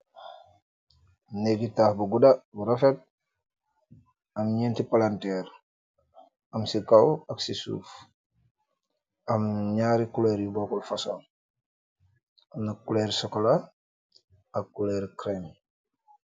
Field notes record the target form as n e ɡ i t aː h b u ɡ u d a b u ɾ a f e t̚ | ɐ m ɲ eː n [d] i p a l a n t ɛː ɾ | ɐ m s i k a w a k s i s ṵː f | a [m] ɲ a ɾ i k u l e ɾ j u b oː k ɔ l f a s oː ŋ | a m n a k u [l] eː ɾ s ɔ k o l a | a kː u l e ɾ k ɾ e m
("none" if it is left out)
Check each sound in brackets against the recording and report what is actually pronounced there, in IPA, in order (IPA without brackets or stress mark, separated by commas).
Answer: t, m, l